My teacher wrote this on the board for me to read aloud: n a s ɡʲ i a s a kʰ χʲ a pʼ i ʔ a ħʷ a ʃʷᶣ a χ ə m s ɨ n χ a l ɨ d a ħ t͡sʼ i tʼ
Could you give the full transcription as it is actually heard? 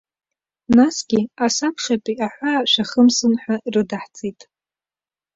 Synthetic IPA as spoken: n a s ɡʲ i a s a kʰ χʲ a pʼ i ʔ a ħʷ a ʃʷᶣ a χ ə m s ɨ n ħ a r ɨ d a ħ t͡sʼ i tʼ